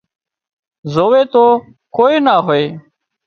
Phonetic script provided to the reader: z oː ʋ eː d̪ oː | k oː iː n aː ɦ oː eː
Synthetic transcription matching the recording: z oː ʋ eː t̪ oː | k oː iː n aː ɦ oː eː

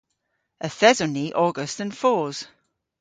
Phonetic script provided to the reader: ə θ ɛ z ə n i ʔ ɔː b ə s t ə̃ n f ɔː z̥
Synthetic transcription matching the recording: ə θ ɛ z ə n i ʔ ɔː ɡ ə s t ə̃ n f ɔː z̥

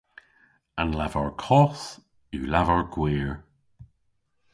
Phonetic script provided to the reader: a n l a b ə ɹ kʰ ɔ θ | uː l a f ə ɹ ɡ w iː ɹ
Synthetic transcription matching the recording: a n l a v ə ɹ kʰ ɔ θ | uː l a v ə ɹ ɡ w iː ɹ

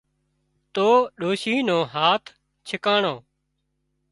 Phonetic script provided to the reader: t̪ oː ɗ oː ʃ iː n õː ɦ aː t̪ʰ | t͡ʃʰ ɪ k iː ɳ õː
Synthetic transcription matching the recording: t̪ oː ɗ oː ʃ iː n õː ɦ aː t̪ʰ | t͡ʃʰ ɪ k aː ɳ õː

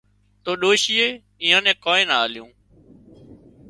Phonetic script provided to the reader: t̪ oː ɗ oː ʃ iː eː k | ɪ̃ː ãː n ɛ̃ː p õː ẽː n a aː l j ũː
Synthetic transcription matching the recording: t̪ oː ɗ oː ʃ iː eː | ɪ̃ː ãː n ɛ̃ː k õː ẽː n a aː l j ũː

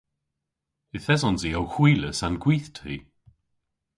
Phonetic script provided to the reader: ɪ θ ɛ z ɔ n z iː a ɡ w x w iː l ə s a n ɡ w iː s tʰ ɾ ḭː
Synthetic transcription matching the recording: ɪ θ ɛ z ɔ n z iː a w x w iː l ə s a n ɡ w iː θ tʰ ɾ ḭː

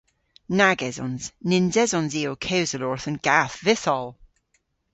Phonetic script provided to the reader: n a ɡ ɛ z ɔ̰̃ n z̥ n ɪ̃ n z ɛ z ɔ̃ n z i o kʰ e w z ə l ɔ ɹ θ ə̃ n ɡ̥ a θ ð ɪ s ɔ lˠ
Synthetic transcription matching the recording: n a ɡ ɛ z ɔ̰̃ n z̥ n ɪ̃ n z ɛ z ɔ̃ n z i o kʰ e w z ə l ɔ ɹ θ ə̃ n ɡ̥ a θ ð ɪ s ɔ lˠ

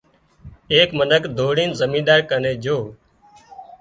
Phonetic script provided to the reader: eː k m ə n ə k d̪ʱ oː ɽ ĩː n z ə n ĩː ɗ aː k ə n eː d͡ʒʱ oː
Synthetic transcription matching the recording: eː k m ə n ə k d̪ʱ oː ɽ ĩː n z ə m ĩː ɗ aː k ə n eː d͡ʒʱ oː

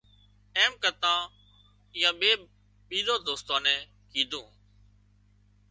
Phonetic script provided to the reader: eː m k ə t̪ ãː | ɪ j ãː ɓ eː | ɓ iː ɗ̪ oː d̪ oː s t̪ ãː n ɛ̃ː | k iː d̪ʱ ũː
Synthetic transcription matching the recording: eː m k ə t̪ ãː | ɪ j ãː ɓ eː | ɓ iː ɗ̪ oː d̪ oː s t̪ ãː n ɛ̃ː | k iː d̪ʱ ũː

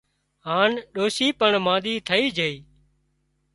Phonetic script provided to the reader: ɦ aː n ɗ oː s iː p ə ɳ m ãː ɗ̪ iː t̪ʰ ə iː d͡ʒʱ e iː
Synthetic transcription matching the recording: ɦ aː n ɗ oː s iː p ə ɳ m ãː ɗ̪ iː t̪ʰ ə iː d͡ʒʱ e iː

